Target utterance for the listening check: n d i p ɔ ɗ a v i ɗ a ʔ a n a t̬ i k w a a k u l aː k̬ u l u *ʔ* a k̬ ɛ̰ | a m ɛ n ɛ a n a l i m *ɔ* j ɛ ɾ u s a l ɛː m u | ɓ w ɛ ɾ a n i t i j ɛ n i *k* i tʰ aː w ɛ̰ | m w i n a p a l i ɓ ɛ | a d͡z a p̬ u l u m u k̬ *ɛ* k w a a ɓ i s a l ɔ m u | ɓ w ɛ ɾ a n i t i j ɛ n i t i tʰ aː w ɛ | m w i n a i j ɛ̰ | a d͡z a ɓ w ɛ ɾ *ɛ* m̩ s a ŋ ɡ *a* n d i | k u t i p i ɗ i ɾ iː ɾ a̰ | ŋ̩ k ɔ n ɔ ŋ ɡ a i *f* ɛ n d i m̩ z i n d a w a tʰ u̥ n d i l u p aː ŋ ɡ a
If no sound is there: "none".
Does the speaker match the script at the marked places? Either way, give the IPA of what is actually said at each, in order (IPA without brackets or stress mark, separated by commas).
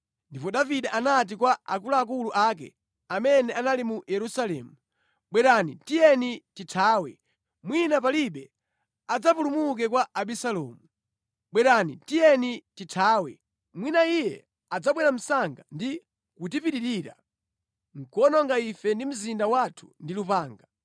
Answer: ʔ, u, t, ɛ, a, a, f